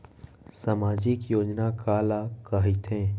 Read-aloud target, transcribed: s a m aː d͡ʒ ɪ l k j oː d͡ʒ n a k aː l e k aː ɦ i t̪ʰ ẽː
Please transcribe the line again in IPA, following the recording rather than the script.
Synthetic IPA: s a m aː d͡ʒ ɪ k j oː d͡ʒ n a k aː l a k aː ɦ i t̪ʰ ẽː